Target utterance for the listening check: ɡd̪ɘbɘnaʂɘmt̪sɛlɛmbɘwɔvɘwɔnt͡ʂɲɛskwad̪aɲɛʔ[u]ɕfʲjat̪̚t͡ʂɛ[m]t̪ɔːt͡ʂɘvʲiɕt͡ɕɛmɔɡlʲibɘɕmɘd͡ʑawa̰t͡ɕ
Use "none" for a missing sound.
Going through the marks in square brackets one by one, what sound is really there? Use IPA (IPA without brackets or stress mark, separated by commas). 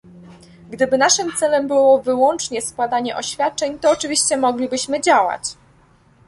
ɔ, ɲ